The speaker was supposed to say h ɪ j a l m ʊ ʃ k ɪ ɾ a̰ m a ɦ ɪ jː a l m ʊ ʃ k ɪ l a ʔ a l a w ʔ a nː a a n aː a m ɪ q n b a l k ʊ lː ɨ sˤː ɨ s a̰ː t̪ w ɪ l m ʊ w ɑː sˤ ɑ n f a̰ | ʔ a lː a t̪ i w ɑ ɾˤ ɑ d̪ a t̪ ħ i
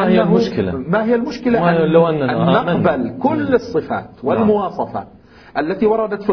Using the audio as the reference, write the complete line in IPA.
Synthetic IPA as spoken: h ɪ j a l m ʊ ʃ k ɪ l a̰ m a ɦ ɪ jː a l m ʊ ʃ k ɪ l a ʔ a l a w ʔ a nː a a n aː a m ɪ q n b a l k ʊ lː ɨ sˤː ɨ f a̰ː t̪ w ɪ l m ʊ w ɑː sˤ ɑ f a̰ | ʔ a lː a t̪ i w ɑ ɾˤ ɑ d̪ a t̪ f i